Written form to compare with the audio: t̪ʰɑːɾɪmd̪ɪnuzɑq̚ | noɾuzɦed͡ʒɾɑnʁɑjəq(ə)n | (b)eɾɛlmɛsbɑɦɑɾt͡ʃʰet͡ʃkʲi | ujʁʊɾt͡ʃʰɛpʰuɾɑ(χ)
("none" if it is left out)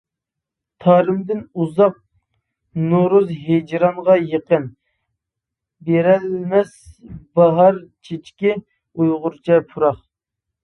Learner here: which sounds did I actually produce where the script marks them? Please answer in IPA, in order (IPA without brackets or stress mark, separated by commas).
ə, b, χ